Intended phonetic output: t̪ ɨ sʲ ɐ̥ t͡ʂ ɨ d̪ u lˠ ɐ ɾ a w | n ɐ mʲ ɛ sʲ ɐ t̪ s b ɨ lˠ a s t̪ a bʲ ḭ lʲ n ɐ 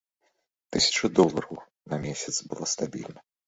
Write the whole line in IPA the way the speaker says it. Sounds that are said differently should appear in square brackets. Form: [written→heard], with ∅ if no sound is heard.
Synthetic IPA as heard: t̪ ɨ sʲ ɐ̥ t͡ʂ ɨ d̪ [u→ɔ] lˠ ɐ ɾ [a→ɐ] w | n ɐ mʲ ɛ sʲ ɐ t̪ s b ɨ lˠ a s t̪ a bʲ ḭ lʲ n ɐ

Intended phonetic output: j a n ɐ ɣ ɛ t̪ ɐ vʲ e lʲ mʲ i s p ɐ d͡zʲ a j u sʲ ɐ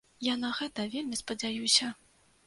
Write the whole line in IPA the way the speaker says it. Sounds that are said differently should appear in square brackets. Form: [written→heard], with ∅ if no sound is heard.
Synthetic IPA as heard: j a n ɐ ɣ ɛ t̪ ɐ vʲ e lʲ mʲ i s p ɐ d͡zʲ a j u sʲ ɐ

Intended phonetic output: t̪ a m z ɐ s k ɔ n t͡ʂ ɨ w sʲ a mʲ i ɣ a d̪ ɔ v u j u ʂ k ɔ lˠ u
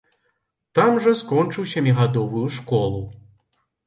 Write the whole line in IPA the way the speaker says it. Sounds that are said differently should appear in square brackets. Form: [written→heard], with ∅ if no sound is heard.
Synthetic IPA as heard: t̪ a m [z→ʐ] ɐ s k ɔ n t͡ʂ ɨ w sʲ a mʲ i ɣ a d̪ ɔ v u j u ʂ k ɔ lˠ u

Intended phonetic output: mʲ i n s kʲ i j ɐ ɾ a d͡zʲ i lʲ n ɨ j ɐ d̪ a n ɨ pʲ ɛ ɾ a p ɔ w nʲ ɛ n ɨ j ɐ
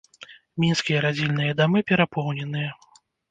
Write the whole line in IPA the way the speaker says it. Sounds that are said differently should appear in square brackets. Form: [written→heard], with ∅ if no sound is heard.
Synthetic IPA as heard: mʲ i n s kʲ i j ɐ ɾ a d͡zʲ i lʲ n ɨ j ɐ d̪ a [n→m] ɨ pʲ ɛ ɾ a p ɔ w nʲ ɛ n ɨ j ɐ

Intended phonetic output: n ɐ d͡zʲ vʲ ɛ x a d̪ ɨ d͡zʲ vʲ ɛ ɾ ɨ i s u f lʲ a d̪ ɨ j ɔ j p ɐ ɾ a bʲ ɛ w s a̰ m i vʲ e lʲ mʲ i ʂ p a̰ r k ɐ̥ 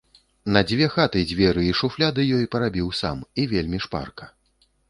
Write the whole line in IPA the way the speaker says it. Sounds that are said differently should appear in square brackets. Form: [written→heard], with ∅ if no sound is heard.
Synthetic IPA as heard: n ɐ d͡zʲ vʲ ɛ x a [d̪→t̪] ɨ d͡zʲ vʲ ɛ ɾ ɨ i [s→ʂ] u f lʲ a d̪ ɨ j ɔ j p ɐ ɾ a bʲ [ɛ→i] w s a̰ m i vʲ e lʲ mʲ i ʂ p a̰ r k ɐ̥

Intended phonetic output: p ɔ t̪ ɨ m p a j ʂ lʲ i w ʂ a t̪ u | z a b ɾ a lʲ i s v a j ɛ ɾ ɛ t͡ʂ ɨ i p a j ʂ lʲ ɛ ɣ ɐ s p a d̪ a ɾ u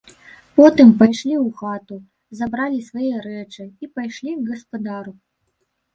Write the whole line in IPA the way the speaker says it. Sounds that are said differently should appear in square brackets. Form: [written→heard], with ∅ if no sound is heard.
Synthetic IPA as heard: p ɔ t̪ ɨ m p a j ʂ lʲ i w [ʂ→x] a t̪ u | z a b ɾ a lʲ i s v a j ɛ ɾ ɛ t͡ʂ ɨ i p a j ʂ lʲ [ɛ→i] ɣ ɐ s p a d̪ a ɾ u

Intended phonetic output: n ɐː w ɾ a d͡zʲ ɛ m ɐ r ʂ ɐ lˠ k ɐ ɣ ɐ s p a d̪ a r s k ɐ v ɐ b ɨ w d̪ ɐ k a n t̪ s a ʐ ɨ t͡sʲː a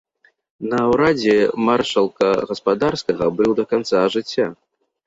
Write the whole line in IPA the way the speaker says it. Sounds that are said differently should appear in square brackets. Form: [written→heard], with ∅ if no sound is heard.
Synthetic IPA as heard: n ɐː w ɾ a d͡zʲ ɛ m [ɐ→a] r ʂ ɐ lˠ k ɐ ɣ ɐ s p a d̪ a r s k ɐ [v→ɣ] ɐ b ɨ w d̪ ɐ k a n t̪ s a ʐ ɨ t͡sʲː a

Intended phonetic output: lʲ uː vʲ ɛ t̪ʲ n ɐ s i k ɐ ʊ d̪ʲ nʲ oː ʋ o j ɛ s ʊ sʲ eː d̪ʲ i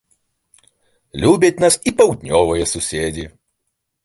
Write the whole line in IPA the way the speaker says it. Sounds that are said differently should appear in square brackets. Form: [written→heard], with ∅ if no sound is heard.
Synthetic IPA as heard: lʲ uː [vʲ→bʲ] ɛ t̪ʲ n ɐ s i [k→p] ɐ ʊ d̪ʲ nʲ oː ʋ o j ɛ s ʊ sʲ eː d̪ʲ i

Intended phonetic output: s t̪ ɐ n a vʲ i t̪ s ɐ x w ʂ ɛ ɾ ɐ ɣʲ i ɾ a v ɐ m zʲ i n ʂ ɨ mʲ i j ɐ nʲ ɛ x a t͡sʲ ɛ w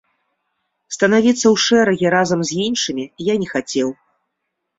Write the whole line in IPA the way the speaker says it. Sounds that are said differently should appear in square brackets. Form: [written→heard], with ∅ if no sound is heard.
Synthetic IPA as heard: s t̪ ɐ n a vʲ i t̪ [s→sː] ɐ [x→∅] w ʂ ɛ ɾ ɐ ɣʲ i ɾ a [v→z] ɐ m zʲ i n ʂ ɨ mʲ i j [ɐ→a] nʲ ɛ x a t͡sʲ ɛ w

